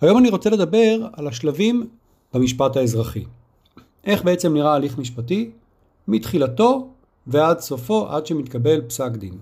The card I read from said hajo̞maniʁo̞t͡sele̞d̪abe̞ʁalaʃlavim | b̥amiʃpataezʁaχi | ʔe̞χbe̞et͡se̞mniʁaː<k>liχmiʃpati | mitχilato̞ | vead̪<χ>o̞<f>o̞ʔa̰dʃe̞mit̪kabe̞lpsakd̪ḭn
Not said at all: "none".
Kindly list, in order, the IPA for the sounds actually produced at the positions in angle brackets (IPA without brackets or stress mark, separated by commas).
none, s, f